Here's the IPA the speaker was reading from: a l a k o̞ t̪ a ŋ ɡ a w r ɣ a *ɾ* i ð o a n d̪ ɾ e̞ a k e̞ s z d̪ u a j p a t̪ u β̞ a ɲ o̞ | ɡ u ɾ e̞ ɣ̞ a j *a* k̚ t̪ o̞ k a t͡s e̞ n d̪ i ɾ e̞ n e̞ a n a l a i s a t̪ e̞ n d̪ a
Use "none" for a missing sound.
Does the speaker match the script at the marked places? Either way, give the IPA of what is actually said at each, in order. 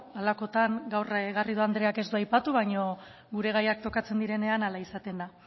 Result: r, a

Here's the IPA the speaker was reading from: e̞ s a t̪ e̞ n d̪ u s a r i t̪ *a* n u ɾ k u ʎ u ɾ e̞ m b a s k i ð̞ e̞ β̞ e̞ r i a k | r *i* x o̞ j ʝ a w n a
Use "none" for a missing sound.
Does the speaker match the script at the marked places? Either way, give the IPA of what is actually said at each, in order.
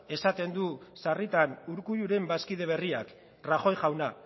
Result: a, a

